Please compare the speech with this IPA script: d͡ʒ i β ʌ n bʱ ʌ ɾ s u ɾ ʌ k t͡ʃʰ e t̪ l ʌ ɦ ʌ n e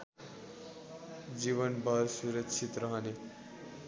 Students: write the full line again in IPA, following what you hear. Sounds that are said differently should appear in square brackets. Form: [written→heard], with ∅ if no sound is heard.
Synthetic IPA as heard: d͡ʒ i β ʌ n bʱ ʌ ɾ s u ɾ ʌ k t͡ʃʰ [e→i] t̪ [l→ɾ] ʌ ɦ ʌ n e